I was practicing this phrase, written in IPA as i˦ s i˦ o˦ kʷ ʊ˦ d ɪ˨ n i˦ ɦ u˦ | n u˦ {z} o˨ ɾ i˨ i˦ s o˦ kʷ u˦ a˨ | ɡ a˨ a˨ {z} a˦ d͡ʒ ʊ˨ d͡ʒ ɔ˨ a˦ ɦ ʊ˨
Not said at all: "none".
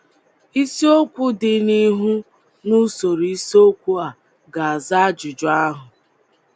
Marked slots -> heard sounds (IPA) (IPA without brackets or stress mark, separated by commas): s, z